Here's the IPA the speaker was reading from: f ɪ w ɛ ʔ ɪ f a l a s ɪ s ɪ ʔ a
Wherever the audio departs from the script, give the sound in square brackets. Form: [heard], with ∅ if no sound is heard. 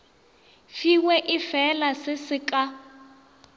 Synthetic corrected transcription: f [i] w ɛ ʔ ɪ f [ɛ] l a s ɪ s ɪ [k] a